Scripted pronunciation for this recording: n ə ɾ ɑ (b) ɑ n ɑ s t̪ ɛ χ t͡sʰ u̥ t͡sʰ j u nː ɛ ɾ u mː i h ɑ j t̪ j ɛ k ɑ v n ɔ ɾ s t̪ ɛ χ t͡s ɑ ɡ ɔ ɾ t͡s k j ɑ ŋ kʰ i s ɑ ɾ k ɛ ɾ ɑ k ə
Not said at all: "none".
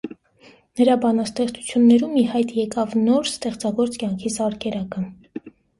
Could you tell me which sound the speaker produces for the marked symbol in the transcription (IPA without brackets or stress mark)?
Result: b